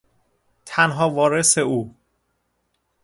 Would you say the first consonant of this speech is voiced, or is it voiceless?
voiceless